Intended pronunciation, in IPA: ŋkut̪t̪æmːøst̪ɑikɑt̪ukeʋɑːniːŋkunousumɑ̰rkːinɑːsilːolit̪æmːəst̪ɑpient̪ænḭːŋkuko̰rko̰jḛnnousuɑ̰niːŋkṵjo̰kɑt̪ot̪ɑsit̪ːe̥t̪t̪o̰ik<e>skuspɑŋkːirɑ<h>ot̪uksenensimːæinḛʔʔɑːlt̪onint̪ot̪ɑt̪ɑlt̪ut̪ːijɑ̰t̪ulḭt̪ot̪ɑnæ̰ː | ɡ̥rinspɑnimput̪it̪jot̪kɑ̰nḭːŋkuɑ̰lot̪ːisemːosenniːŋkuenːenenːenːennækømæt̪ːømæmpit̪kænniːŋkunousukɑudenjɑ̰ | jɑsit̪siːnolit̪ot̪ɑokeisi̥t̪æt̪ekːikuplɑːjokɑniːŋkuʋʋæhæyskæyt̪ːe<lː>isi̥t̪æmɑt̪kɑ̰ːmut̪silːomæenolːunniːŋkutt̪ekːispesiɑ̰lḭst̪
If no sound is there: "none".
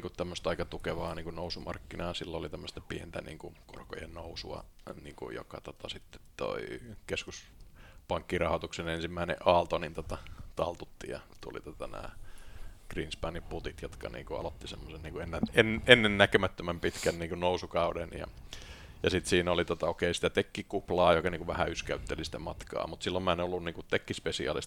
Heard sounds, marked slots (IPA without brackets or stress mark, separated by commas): e, h, l